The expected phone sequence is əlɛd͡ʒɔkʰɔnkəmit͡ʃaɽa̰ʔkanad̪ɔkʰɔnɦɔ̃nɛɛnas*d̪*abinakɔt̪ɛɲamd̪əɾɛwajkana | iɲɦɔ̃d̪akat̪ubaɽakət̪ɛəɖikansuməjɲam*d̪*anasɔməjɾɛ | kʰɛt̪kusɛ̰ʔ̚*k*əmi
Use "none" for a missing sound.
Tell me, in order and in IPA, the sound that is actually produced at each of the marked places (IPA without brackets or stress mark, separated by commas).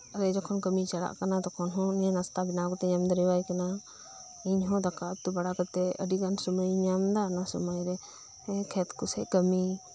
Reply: t̪, d̪, k